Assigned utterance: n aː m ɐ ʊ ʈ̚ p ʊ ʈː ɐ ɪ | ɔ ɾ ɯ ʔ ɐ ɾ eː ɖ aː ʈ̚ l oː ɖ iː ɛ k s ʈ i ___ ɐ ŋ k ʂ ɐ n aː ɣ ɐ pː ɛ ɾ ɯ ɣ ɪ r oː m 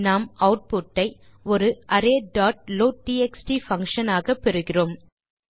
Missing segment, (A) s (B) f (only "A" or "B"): B